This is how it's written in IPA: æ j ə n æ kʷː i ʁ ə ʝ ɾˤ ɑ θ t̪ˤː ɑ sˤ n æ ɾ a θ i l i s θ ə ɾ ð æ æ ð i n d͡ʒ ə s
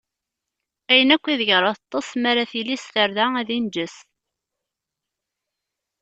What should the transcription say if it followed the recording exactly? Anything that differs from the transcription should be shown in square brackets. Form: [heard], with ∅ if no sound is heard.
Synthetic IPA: æ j ə n æ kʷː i [ð] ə ʝ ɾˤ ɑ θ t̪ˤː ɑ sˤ [m] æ ɾ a θ i l i s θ ə ɾ ð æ æ ð i n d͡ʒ ə s